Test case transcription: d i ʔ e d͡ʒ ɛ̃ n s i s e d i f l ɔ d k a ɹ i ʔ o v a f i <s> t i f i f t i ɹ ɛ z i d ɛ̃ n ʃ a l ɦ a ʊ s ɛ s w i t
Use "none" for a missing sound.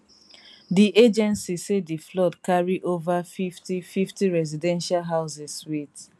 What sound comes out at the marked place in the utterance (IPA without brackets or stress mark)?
f